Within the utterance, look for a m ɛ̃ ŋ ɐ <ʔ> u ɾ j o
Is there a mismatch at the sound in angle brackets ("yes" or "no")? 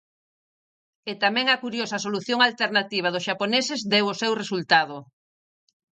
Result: yes